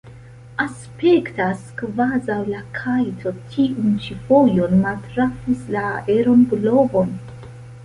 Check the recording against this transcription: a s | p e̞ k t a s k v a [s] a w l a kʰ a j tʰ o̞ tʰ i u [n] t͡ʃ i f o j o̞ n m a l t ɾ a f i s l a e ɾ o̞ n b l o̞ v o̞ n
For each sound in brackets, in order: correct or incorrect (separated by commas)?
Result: incorrect, correct